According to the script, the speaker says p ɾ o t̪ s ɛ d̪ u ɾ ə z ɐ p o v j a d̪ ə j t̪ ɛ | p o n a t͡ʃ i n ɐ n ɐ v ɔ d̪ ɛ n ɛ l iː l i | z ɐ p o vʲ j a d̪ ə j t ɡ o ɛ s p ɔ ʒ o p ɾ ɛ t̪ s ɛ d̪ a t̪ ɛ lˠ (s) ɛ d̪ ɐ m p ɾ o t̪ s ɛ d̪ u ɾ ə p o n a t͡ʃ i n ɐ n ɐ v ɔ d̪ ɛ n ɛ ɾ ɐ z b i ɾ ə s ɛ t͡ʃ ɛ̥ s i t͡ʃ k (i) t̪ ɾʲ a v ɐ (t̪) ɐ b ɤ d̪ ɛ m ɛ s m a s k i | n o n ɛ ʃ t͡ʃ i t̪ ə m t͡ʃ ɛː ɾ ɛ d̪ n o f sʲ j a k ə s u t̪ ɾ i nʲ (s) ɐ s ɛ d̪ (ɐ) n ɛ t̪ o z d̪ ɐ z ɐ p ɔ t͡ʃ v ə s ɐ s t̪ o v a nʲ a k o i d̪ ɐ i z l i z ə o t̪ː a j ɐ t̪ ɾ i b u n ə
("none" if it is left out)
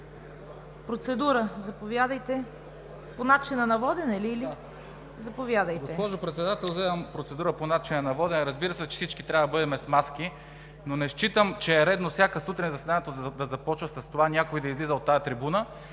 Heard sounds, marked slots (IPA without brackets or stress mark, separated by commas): z, i, d̪, z, a